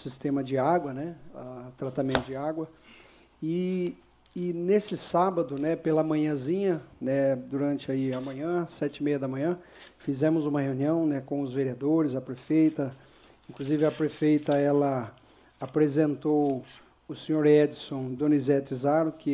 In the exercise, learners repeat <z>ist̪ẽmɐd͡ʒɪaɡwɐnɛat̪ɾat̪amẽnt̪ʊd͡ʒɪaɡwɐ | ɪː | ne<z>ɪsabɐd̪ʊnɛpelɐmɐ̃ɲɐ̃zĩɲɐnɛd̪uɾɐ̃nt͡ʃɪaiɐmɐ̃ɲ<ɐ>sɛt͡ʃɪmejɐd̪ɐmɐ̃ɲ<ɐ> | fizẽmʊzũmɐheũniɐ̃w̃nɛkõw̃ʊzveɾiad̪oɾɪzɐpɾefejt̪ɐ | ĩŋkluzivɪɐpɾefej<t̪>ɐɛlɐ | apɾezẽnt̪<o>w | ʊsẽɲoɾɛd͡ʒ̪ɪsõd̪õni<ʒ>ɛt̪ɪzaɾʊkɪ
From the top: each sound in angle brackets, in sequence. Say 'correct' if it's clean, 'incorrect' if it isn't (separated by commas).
incorrect, incorrect, incorrect, incorrect, correct, correct, incorrect